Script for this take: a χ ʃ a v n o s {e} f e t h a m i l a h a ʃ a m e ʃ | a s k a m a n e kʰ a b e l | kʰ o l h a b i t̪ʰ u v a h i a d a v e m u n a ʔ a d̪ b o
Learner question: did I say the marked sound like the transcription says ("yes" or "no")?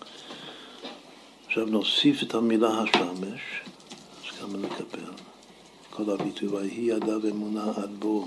no